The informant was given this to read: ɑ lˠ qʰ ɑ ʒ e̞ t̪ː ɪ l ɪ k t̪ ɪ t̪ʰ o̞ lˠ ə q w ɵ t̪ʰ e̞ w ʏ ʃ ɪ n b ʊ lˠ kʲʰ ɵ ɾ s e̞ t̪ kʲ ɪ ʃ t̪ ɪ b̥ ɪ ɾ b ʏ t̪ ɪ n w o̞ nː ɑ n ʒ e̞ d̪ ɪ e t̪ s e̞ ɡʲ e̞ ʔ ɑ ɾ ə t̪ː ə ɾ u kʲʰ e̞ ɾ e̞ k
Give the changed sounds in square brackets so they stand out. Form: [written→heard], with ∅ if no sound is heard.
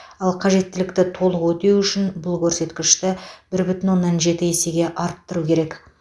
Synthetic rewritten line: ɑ lˠ qʰ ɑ ʒ e̞ t̪ː ɪ l ɪ k t̪ ɪ t̪ʰ o̞ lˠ ə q w ɵ [t̪ʰ→t̪] e̞ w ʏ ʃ ɪ n b ʊ lˠ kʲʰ ɵ ɾ s e̞ t̪ kʲ ɪ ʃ t̪ ɪ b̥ ɪ ɾ b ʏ t̪ ɪ n w o̞ nː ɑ n ʒ e̞ [d̪→t̪] ɪ e [t̪→∅] s e̞ ɡʲ e̞ ʔ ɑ ɾ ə t̪ː ə ɾ u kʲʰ e̞ ɾ e̞ k

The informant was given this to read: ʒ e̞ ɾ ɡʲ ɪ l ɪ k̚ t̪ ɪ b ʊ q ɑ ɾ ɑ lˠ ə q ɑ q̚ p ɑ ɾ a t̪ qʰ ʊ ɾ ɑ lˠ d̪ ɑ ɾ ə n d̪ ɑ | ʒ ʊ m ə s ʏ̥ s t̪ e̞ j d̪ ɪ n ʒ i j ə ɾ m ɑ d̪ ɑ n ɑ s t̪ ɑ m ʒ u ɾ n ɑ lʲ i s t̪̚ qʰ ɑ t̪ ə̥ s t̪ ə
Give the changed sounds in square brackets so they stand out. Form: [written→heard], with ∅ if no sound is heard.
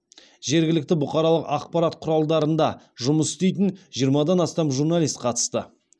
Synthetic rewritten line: ʒ e̞ ɾ ɡʲ ɪ l ɪ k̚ t̪ ɪ b ʊ q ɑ ɾ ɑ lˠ ə q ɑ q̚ p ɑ ɾ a t̪ qʰ ʊ ɾ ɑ lˠ d̪ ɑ ɾ ə n d̪ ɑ | ʒ ʊ m ə s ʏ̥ s t̪ e̞ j [d̪→t̪] ɪ n ʒ i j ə ɾ m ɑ d̪ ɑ n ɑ s t̪ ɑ m ʒ u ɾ n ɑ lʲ i s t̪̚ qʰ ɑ t̪ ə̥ s t̪ ə

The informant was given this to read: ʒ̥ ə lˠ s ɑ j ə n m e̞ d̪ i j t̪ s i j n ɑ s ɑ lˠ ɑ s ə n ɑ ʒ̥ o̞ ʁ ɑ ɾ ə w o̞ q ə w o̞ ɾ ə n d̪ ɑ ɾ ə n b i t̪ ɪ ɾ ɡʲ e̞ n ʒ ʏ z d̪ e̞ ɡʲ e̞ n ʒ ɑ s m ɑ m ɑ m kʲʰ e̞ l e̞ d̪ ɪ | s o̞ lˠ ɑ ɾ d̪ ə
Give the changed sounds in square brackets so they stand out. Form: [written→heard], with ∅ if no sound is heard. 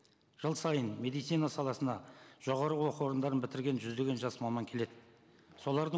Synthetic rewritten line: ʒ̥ ə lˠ s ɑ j ə n m e̞ d̪ i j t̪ s i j n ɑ s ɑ lˠ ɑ s ə n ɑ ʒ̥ o̞ ʁ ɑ ɾ ə w o̞ q ə w o̞ ɾ ə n d̪ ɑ ɾ ə n b [i→ɪ] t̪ ɪ ɾ ɡʲ e̞ n ʒ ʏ z d̪ e̞ ɡʲ e̞ n ʒ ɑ s m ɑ m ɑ [m→ŋ] kʲʰ e̞ l e̞ d̪ ɪ | s o̞ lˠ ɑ ɾ d̪ ə

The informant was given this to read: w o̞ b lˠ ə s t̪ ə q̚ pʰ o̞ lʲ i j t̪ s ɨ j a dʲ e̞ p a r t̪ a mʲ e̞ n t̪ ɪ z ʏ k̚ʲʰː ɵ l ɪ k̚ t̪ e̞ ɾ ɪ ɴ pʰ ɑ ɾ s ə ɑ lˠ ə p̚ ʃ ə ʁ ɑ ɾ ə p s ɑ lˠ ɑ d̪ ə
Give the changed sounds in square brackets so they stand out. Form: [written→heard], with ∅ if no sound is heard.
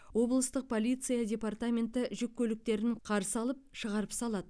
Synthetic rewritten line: w o̞ b lˠ ə s t̪ ə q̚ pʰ o̞ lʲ i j t̪ s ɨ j a dʲ e̞ p a r t̪ a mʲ e̞ n t̪ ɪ [z→ʒ] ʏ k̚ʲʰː ɵ l ɪ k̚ t̪ e̞ ɾ ɪ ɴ [pʰ→qʰ] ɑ ɾ s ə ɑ lˠ ə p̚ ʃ ə ʁ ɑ ɾ ə p s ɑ lˠ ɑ d̪ ə

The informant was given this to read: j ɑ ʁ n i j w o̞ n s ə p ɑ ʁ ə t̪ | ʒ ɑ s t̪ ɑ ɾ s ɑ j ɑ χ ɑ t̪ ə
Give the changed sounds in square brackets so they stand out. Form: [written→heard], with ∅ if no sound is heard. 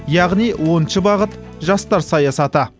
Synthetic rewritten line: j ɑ ʁ n i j w o̞ n [s→ʃ] ə [p→b] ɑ ʁ ə t̪ | ʒ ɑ s t̪ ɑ ɾ s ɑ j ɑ [χ→s] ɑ t̪ ə

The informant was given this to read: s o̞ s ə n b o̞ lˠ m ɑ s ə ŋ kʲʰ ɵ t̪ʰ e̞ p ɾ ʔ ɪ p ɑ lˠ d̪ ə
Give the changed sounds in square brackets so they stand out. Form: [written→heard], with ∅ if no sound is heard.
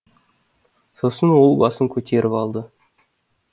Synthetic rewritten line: s o̞ s ə n [b→w] o̞ lˠ [m→b] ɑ s ə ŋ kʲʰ ɵ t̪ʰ e̞ [p→∅] ɾ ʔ ɪ p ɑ lˠ d̪ ə

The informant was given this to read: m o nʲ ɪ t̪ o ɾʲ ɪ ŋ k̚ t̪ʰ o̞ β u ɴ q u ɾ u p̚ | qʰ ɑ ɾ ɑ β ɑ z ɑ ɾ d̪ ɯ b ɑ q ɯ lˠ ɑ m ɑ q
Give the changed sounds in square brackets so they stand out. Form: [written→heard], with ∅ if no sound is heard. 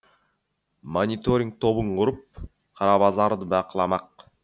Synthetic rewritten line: m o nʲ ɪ t̪ o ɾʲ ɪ ŋ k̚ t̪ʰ o̞ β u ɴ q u ɾ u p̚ | qʰ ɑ ɾ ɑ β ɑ z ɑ ɾ d̪ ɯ b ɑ q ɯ lˠ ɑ m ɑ q

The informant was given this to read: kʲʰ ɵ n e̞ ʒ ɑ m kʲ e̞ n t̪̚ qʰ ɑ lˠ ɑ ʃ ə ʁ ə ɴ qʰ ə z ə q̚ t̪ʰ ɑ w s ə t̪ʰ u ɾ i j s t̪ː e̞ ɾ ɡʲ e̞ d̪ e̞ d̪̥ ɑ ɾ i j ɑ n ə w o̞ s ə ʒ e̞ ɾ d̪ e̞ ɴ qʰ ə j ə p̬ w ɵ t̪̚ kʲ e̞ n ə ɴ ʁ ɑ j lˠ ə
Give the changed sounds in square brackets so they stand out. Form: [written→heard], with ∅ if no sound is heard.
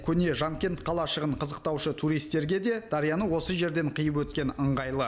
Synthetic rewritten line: kʲʰ ɵ n e̞ ʒ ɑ m kʲ e̞ n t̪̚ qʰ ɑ lˠ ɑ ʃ ə ʁ ə ɴ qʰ ə z ə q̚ [t̪ʰ→t̪] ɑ w [s→ʃ] ə t̪ʰ u ɾ i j s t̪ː e̞ ɾ ɡʲ e̞ d̪ e̞ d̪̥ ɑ ɾ i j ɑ n ə w o̞ s ə ʒ e̞ ɾ d̪ e̞ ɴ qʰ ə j ə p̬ w ɵ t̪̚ kʲ e̞ n ə ɴ ʁ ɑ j lˠ ə

